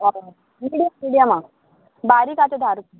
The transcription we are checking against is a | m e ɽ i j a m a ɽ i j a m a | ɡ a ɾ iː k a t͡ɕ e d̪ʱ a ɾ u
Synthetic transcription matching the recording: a | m i ɽ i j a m i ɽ i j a m a | b a ɾ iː k a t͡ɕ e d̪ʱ a ɾ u